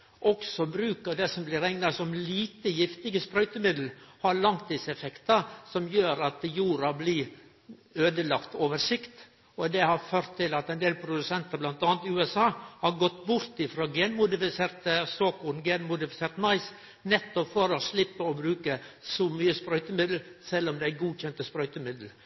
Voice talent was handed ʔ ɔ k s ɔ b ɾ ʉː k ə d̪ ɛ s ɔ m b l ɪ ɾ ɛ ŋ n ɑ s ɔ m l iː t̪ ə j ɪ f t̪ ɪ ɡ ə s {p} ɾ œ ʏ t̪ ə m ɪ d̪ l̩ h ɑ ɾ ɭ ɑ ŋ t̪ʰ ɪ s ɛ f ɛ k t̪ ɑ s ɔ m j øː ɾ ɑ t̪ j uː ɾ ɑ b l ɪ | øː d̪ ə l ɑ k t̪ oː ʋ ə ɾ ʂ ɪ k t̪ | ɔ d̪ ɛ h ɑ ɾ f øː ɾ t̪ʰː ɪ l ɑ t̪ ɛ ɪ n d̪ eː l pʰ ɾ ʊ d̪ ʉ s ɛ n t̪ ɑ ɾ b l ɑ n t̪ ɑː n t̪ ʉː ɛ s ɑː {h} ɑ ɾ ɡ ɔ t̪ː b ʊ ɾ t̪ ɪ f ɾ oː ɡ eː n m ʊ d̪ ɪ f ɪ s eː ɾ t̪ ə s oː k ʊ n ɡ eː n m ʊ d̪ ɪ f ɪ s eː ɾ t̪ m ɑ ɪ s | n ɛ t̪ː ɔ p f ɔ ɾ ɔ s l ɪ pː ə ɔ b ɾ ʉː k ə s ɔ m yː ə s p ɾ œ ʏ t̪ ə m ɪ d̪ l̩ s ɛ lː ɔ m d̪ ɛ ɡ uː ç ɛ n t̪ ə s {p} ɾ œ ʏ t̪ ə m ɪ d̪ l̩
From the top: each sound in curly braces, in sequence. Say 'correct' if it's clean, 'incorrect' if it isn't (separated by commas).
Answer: correct, correct, correct